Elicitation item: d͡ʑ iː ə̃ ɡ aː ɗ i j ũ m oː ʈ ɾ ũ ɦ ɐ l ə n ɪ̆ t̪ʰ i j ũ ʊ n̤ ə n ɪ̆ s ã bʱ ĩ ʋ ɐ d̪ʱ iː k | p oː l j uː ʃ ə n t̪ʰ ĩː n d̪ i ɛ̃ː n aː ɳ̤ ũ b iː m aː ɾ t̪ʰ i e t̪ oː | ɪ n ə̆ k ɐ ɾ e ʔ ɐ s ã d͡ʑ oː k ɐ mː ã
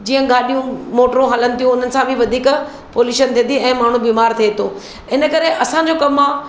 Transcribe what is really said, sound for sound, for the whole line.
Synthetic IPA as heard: d͡ʑ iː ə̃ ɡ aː ɗ i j ũ m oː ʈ ɾ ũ ɦ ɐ l ə n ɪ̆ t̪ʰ i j ũ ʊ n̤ ə n ɪ̆ s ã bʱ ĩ ʋ ɐ d̪ʱ iː k | p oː l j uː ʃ ə n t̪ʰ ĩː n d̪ i ɛ̃ː m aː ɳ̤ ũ b iː m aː ɾ t̪ʰ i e t̪ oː | ɪ n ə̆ k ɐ ɾ e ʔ ɐ s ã d͡ʑ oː k ɐ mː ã

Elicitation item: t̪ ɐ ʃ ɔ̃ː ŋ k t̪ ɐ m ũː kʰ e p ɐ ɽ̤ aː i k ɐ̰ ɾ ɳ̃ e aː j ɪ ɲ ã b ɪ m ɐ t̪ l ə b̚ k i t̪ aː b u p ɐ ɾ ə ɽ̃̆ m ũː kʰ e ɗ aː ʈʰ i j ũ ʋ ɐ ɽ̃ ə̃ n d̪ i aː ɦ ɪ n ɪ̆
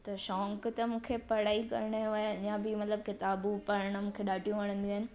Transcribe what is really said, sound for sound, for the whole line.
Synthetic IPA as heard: t̪ ɐ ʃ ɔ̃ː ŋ k t̪ ɐ m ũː kʰ e p ɐ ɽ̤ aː i k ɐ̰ ɾ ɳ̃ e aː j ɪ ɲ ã b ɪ m ɐ t̪ l ə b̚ k ɪ t̪ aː b u p ɐ ɾ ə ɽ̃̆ m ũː kʰ e ɗ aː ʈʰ i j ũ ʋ ɐ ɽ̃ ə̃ n d̪ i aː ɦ ɪ n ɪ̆

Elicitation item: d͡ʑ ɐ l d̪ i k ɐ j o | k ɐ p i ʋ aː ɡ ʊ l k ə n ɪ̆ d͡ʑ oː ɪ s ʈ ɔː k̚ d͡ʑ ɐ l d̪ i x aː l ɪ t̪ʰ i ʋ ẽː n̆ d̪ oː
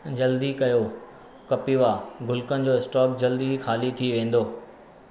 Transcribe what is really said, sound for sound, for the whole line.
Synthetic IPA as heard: d͡ʑ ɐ l d̪ i k ɐ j o | k ɐ p i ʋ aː ɡ ʊ l k ə n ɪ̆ d͡ʑ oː ɪ s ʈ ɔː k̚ d͡ʑ ɐ l d̪ i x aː l i t̪ʰ i ʋ ẽː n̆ d̪ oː

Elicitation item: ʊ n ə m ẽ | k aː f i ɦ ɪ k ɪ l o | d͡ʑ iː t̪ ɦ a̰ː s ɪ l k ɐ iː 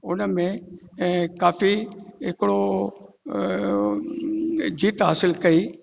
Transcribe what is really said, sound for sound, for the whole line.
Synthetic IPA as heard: ʊ n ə m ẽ | k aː f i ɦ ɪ k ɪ ɽ o | d͡ʑ iː t̪ ɦ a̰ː s ɪ l k ɐ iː

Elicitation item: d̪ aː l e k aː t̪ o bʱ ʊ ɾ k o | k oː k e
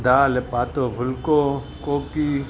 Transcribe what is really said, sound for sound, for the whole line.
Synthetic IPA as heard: d̪ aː l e p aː t̪ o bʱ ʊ l k o | k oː k i

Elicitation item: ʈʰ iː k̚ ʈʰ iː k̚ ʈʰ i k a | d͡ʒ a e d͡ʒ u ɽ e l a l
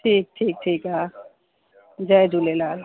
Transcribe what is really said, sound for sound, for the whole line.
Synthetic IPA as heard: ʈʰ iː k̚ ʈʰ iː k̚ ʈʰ i k a | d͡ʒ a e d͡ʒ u l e l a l

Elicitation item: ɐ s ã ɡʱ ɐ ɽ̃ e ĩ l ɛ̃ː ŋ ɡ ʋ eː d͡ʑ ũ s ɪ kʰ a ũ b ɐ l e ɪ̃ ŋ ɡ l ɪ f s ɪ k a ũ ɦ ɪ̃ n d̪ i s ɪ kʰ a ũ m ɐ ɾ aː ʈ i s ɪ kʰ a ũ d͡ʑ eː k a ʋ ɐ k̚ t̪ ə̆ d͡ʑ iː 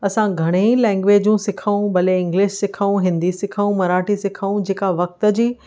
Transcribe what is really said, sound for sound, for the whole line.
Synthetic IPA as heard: ɐ s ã ɡʱ ɐ ɽ̃ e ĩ l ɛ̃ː ŋ ɡ ʋ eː d͡ʑ ũ s ɪ kʰ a ũ b ɐ l e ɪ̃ ŋ ɡ l ɪ ʃ s ɪ kʰ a ũ ɦ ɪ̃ n d̪ i s ɪ kʰ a ũ m ɐ ɾ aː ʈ i s ɪ kʰ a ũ d͡ʑ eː k a ʋ ɐ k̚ t̪ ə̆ d͡ʑ iː

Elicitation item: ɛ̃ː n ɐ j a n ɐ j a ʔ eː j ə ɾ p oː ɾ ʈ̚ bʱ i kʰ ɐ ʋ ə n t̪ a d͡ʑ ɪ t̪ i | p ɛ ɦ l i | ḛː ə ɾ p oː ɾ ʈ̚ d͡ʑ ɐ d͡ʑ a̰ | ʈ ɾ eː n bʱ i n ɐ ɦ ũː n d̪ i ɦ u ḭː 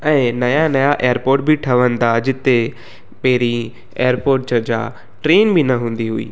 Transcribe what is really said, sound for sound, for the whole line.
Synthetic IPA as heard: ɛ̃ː n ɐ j a n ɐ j a ʔ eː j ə ɾ p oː ɾ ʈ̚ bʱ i ʈʰ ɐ ʋ ə n d̪ a d͡ʑ ɪ t̪ e | p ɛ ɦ ɾ i | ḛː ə ɾ p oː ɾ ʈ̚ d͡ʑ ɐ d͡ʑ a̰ | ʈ ɾ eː n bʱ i n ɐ ɦ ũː n d̪ i ɦ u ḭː

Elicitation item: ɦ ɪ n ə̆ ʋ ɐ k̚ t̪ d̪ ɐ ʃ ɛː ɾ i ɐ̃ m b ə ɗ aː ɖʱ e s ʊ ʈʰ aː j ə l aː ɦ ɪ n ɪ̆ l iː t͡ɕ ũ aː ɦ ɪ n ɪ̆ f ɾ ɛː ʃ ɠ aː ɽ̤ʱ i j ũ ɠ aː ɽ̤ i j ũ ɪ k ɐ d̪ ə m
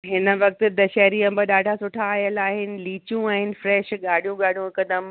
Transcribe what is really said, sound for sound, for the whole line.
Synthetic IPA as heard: ɦ ɪ n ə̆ ʋ ɐ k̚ t̪ d̪ ɐ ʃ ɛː ɾ i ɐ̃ m b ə ɗ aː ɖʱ a s ʊ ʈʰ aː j ə l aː ɦ ɪ n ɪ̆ l iː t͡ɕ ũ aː ɦ ɪ n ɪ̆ f ɾ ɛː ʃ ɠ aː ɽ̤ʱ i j ũ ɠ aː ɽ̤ i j ũ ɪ k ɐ d̪ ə m

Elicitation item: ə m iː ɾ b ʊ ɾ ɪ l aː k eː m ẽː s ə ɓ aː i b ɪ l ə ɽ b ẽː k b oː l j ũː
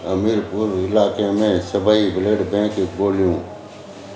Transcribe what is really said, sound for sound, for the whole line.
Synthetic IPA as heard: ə m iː ɾ p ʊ ɾ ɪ l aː k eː m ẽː s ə b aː i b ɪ l ə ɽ b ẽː k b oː l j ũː

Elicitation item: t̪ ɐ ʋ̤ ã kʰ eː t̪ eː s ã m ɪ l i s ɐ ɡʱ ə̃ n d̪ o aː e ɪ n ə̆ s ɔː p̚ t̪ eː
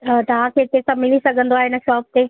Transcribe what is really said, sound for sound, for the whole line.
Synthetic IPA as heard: t̪ ɐ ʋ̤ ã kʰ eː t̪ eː s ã m ɪ l i s ɐ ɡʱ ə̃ n d̪ o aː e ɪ n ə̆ ʃ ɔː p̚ t̪ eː

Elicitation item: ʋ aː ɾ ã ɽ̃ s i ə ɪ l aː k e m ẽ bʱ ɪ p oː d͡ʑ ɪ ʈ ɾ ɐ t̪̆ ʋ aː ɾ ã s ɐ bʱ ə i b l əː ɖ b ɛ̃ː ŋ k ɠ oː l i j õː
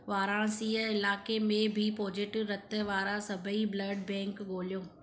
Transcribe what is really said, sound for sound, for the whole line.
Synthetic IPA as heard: ʋ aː ɾ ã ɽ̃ s i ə ɪ l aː k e m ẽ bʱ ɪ p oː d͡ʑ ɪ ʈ ɾ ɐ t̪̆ ʋ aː ɾ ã s ɐ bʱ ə i b l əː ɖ b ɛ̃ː ŋ k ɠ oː l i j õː

